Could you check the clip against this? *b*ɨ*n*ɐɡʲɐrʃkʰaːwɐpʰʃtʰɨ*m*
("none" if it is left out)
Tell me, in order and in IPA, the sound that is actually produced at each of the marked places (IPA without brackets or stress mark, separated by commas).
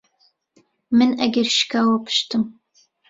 m, n, m